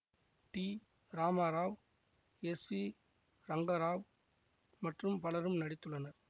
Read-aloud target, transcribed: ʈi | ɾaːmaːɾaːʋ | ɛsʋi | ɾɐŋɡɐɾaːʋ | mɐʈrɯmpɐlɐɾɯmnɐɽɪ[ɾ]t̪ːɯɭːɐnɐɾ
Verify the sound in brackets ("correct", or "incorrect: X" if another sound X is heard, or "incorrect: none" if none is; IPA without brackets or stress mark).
incorrect: none